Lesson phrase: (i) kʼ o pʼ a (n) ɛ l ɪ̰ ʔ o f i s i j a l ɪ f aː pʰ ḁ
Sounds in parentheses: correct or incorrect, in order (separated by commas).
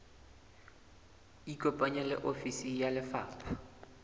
correct, incorrect